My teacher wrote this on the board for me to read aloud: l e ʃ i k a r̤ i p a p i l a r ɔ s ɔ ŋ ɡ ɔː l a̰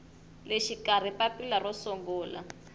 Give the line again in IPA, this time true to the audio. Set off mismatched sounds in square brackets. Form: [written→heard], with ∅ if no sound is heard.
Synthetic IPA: l e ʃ i k a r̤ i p a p i l a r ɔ s ɔ ŋ ɡ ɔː l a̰